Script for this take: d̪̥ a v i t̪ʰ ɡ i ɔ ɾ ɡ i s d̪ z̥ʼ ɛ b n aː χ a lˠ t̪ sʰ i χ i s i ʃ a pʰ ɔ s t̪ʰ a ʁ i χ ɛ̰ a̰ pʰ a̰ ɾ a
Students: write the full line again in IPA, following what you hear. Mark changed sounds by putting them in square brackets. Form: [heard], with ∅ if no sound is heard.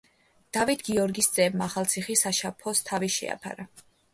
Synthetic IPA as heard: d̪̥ a v i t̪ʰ ɡ i ɔ ɾ ɡ i s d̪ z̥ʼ ɛ b [m] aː χ a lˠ t̪ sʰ i χ i s [a] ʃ a pʰ ɔ s t̪ʰ a [v] i [ʃ] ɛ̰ a̰ pʰ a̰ ɾ a